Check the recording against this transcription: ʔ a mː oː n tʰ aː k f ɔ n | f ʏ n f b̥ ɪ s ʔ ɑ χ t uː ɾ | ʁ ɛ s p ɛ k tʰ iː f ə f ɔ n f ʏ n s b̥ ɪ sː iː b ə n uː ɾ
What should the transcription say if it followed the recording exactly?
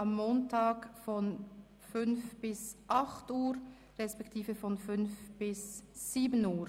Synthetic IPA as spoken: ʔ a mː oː n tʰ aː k f ɔ n | f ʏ n f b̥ ɪ s ʔ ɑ χ t uː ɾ | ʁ ɛ s p ɛ k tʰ iː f ə f ɔ n f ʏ n f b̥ ɪ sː iː b ə n uː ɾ